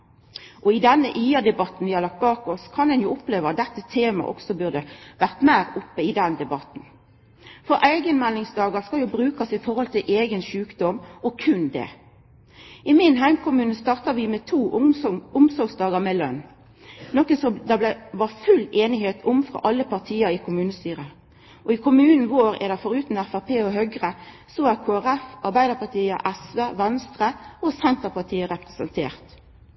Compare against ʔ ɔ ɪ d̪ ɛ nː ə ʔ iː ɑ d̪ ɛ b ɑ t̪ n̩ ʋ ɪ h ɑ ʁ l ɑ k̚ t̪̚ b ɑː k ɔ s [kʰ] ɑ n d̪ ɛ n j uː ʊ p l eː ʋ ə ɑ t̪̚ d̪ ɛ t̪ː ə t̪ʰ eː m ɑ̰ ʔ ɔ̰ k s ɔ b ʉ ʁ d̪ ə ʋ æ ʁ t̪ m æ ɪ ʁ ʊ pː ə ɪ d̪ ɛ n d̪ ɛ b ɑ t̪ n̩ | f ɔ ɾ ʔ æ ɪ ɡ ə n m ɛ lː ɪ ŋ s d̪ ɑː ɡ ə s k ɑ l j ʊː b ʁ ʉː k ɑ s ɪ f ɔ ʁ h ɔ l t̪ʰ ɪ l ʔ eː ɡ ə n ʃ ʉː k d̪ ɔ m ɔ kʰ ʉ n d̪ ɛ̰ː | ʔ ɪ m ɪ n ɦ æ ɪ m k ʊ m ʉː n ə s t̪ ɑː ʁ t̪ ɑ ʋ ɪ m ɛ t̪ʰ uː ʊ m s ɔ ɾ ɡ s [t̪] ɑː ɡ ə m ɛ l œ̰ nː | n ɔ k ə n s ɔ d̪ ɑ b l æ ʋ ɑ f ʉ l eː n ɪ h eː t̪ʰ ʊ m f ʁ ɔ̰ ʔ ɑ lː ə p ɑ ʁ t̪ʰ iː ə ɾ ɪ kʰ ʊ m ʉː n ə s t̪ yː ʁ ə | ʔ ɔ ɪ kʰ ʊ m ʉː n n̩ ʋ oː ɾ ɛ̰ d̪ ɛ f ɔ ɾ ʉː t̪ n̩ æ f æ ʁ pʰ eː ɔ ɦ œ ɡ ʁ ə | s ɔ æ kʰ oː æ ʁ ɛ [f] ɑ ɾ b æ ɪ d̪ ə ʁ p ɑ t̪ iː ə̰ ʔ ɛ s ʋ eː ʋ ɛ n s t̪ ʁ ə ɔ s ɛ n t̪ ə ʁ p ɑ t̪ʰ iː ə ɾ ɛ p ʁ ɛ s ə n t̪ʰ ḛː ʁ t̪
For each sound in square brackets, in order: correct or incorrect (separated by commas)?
correct, incorrect, correct